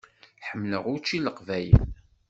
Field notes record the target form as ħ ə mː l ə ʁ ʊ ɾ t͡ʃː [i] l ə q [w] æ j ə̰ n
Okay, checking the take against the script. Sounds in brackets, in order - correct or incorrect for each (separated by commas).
correct, incorrect